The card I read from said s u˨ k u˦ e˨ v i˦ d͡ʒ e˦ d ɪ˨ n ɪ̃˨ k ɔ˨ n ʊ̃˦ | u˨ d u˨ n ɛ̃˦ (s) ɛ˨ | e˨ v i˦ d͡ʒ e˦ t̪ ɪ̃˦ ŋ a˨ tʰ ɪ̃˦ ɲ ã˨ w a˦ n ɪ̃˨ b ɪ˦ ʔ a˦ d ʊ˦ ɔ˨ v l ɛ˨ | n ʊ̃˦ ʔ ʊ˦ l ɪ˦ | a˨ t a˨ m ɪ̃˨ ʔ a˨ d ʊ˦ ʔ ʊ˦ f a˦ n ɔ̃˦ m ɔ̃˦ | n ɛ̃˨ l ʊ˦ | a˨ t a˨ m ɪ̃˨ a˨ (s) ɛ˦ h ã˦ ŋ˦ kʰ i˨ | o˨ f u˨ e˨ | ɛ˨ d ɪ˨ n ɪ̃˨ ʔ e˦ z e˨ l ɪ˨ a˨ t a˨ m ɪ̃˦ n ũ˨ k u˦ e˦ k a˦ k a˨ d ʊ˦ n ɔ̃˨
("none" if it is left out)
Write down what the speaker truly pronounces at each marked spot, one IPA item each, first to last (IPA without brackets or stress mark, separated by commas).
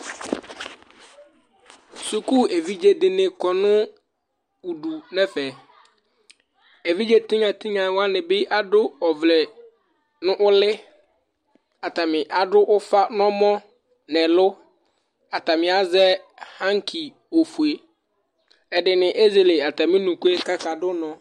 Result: f, z